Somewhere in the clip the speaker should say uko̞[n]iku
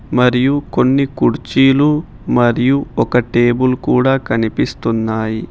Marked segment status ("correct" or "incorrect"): incorrect